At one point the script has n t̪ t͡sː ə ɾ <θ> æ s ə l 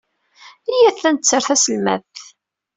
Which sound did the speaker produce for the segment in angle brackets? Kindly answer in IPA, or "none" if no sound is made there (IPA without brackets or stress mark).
θ